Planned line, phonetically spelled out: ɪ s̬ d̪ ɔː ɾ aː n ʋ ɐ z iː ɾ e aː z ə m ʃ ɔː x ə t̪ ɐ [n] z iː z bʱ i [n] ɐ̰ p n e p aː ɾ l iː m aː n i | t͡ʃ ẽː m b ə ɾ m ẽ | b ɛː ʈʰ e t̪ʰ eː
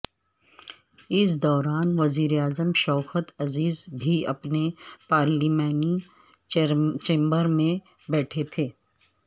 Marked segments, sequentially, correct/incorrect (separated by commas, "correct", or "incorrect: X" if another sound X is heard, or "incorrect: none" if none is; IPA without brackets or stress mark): incorrect: none, incorrect: none